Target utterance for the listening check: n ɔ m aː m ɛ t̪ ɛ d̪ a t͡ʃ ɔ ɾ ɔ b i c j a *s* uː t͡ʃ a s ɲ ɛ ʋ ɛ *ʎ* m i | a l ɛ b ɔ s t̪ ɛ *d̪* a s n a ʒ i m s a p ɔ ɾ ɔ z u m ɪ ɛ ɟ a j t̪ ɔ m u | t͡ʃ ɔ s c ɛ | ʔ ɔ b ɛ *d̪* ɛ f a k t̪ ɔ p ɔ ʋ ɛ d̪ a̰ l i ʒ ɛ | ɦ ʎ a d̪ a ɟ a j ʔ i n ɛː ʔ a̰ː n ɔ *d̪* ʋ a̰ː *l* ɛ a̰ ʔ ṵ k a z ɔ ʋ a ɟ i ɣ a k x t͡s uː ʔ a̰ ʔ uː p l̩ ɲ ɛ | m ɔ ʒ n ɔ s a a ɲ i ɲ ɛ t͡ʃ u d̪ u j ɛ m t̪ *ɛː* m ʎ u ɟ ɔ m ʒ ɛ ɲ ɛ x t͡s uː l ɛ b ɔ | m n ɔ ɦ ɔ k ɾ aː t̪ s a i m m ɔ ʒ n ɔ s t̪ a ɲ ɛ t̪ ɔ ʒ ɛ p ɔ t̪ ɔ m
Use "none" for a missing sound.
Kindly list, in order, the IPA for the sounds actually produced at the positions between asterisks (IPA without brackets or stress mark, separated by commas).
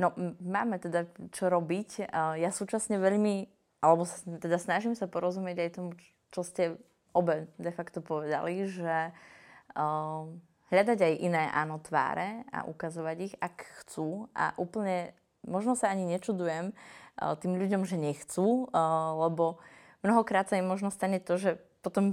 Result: s, ʎ, d̪, d̪, t̪, ɾ, iː